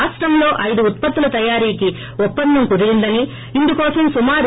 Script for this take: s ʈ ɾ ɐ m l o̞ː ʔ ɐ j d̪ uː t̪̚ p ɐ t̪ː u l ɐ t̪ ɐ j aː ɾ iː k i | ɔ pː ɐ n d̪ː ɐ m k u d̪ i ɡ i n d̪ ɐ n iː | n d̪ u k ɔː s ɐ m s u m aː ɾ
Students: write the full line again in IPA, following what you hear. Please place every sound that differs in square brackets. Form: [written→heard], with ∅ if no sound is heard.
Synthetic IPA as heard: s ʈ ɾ ɐ m l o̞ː ʔ ɐ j d̪ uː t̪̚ p ɐ t̪ː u l ɐ t̪ ɐ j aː ɾ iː k i | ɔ pː ɐ n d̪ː ɐ m k u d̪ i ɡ i n d̪ ɐ n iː | n d̪ u k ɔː s ɐ m s u m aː ɾ

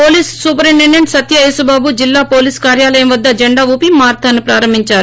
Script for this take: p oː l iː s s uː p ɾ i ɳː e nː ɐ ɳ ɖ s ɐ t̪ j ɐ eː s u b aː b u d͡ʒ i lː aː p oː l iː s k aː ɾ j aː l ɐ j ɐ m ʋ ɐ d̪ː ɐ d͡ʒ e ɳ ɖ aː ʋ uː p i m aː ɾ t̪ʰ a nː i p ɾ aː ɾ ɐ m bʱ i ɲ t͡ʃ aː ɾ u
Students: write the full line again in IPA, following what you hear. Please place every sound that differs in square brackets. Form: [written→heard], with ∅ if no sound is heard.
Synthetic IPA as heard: p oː l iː s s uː p ɾ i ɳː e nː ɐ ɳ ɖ s ɐ t̪ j ɐ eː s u b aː b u d͡ʒ i lː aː p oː l iː s k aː ɾ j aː l ɐ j ɐ m ʋ ɐ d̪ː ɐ d͡ʒ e ɳ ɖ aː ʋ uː p i m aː ɾ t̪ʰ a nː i p ɾ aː ɾ ɐ m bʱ i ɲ t͡ʃ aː ɾ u

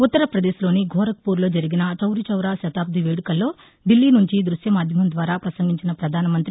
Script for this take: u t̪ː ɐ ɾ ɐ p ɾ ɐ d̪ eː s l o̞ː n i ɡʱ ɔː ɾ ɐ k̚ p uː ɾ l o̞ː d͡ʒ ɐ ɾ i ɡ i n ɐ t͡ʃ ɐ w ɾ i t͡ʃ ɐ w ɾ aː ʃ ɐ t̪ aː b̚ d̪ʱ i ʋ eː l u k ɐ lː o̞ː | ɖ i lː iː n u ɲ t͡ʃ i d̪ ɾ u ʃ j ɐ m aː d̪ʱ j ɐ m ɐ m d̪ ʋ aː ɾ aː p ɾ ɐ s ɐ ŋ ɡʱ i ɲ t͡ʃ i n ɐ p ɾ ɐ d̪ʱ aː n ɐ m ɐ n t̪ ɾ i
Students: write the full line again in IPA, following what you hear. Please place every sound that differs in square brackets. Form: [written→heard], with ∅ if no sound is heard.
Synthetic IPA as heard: u t̪ː ɐ ɾ ɐ p ɾ ɐ d̪ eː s l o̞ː n i ɡʱ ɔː ɾ ɐ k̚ p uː ɾ l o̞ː d͡ʒ ɐ ɾ i ɡ i n ɐ t͡ʃ ɐ w ɾ i t͡ʃ ɐ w ɾ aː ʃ ɐ t̪ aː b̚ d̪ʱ i ʋ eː [l→ɽ] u k ɐ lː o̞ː | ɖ i lː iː n u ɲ t͡ʃ i d̪ ɾ u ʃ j ɐ m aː d̪ʱ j ɐ m ɐ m d̪ ʋ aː ɾ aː p ɾ ɐ s ɐ ŋ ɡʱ i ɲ t͡ʃ i n ɐ p ɾ ɐ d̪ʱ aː n ɐ m ɐ n t̪ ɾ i

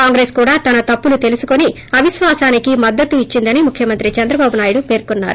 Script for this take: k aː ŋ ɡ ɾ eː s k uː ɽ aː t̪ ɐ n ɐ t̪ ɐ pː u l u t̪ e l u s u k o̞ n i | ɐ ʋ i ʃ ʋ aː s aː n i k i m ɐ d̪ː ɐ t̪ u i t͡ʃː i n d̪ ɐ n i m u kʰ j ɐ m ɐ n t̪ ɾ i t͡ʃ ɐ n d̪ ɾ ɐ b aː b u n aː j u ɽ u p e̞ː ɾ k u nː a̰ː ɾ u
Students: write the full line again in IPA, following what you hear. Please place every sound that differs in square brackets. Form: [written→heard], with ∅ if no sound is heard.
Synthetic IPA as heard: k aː ŋ ɡ ɾ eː s k uː ɽ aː t̪ ɐ n ɐ t̪ ɐ pː u l u t̪ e l u s u k o̞ n i | ɐ ʋ i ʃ ʋ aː s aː n i k i m ɐ d̪ː ɐ t̪ u i t͡ʃː i n d̪ ɐ n i m u kʰ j ɐ m ɐ n t̪ ɾ i t͡ʃ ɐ n d̪ ɾ ɐ b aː b u n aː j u ɽ u p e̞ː ɾ k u nː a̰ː ɾ u

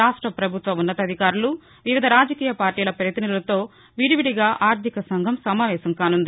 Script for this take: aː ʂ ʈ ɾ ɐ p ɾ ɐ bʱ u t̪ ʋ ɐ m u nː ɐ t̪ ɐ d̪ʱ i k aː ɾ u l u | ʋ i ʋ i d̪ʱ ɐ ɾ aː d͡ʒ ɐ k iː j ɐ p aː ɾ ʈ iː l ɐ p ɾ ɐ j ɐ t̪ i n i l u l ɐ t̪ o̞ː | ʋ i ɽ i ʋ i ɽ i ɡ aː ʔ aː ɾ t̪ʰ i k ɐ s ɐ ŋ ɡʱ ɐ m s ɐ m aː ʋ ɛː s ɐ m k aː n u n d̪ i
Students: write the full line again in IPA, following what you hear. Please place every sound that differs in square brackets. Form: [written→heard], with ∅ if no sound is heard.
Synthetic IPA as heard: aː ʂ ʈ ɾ ɐ p ɾ ɐ bʱ u t̪ ʋ ɐ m u nː ɐ t̪ ɐ d̪ʱ i k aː ɾ u l u | ʋ i ʋ i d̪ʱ ɐ ɾ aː d͡ʒ ɐ k iː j ɐ p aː ɾ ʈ iː l ɐ p ɾ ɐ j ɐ t̪ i n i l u l ɐ t̪ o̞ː | ʋ i ɽ i ʋ i ɽ i ɡ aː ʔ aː ɾ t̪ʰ i k ɐ s ɐ ŋ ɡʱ ɐ m s ɐ m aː ʋ ɛː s ɐ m k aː n u n d̪ i

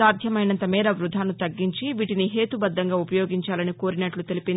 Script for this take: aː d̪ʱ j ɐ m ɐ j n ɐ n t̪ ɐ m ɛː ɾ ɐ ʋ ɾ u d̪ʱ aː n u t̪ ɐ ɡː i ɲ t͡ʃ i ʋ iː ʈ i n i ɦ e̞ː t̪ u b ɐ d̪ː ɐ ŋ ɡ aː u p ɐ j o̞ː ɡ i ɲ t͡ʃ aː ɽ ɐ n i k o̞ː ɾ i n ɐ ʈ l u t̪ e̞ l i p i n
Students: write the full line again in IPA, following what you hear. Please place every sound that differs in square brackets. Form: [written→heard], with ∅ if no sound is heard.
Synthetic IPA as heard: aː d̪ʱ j ɐ m ɐ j n ɐ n t̪ ɐ m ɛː ɾ ɐ ʋ ɾ u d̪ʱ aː n u t̪ ɐ ɡː i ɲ t͡ʃ i ʋ iː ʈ i n i ɦ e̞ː t̪ u b ɐ d̪ː ɐ ŋ ɡ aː u p ɐ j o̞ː ɡ i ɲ t͡ʃ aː [ɽ→l] ɐ n i k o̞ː ɾ i n ɐ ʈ l u t̪ e̞ l i p i n

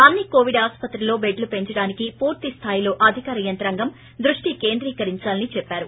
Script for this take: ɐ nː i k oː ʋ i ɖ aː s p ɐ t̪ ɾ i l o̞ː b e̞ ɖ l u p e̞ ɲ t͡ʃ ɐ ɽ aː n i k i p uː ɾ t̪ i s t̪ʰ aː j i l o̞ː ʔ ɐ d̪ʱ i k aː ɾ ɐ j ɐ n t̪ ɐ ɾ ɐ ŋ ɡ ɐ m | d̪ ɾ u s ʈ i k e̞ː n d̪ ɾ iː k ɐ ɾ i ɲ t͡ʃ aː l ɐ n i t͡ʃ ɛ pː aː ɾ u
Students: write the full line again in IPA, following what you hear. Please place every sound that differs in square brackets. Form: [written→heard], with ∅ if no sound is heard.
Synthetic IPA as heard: ɐ nː i k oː ʋ i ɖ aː s p ɐ t̪ ɾ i l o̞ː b e̞ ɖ l u p e̞ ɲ t͡ʃ ɐ ɽ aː n i k i p uː ɾ t̪ i s t̪ʰ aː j i l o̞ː ʔ ɐ d̪ʱ i k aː ɾ ɐ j ɐ n t̪ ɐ ɾ ɐ ŋ ɡ ɐ m | d̪ ɾ u [s→ʂ] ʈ i k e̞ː n d̪ ɾ iː k ɐ ɾ i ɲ t͡ʃ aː l ɐ n i t͡ʃ ɛ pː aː ɾ u

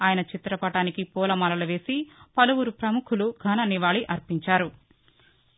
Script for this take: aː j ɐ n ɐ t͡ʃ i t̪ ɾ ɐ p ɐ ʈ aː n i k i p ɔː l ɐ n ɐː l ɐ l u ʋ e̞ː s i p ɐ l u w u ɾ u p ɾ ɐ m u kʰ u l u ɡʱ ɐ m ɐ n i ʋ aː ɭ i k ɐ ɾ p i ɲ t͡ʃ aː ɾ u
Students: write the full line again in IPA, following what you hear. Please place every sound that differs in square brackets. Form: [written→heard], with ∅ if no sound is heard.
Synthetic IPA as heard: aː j ɐ n ɐ t͡ʃ i t̪ ɾ ɐ p ɐ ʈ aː n i k i p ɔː l ɐ [n→m] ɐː l ɐ l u ʋ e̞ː s i p ɐ l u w u ɾ u p ɾ ɐ m u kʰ u l u ɡʱ ɐ [m→n] ɐ n i ʋ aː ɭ i [k→ʔ] ɐ ɾ p i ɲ t͡ʃ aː ɾ u

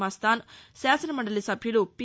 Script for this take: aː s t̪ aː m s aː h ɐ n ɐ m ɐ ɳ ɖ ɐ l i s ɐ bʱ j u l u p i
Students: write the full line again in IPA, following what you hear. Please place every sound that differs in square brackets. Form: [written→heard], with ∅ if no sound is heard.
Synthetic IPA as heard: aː s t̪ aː [m→n] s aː [h→s] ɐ n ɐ m ɐ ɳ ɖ ɐ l i s ɐ bʱ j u l u p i

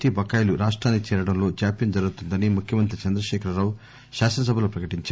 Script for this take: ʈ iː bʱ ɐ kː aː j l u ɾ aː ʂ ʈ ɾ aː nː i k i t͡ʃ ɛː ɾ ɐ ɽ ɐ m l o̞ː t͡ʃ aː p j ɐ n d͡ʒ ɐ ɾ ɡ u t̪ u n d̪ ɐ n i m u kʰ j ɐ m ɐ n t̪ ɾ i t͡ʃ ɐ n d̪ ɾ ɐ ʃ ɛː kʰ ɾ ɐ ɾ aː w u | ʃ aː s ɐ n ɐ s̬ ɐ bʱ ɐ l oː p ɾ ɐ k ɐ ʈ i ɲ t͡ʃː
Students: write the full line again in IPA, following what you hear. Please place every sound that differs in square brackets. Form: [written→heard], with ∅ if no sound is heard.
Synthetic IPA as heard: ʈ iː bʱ ɐ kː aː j l u ɾ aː ʂ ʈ ɾ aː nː i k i t͡ʃ ɛː ɾ ɐ ɽ ɐ m l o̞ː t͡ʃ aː p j ɐ n d͡ʒ ɐ ɾ ɡ u t̪ u n d̪ ɐ n i m u kʰ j ɐ m ɐ n t̪ ɾ i t͡ʃ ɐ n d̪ ɾ ɐ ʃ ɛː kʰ ɾ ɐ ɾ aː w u | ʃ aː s ɐ n ɐ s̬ ɐ bʱ ɐ l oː p ɾ ɐ k ɐ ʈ i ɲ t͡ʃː

